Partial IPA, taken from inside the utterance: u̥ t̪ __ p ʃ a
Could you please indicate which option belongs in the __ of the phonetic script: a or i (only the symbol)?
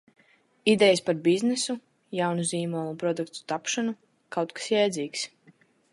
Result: a